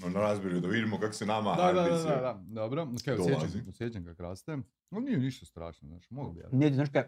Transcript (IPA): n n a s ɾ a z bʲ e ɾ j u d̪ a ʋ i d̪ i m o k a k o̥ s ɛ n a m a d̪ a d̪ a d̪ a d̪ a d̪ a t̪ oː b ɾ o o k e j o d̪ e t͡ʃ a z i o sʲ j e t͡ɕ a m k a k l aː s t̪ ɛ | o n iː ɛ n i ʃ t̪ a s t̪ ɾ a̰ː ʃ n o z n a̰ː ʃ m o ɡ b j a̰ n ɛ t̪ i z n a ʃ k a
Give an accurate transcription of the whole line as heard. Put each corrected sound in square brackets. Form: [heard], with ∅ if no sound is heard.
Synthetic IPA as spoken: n n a [∅] ɾ a z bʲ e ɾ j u d̪ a ʋ i d̪ i m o k a k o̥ s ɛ n a m a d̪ a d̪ a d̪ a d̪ a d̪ a [d̪] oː b ɾ o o k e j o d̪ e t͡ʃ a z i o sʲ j e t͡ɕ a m k a k [ɾ] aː s t̪ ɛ | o n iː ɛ n i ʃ t̪ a s t̪ ɾ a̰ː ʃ n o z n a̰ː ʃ m o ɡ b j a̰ n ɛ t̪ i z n a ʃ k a